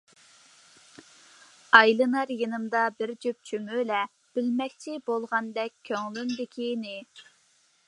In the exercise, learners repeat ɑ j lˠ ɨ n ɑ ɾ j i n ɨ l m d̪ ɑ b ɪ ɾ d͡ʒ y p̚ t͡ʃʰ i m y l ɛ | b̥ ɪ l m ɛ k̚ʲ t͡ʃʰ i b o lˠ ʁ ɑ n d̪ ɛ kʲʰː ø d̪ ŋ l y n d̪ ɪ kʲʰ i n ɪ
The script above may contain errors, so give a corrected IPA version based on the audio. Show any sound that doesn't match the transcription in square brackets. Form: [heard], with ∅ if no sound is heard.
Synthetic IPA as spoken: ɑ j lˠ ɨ n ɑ ɾ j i n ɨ [∅] m d̪ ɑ b ɪ ɾ d͡ʒ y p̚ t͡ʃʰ [y] m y l ɛ | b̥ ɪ l m ɛ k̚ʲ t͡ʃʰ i b o lˠ ʁ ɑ n d̪ ɛ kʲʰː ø [∅] ŋ l y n d̪ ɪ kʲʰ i n ɪ